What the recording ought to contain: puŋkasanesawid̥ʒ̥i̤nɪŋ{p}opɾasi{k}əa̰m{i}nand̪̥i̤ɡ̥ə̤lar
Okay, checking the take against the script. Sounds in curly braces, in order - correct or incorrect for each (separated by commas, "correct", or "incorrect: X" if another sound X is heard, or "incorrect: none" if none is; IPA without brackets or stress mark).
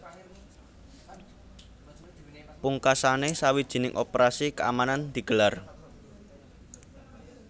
incorrect: ʔ, correct, incorrect: a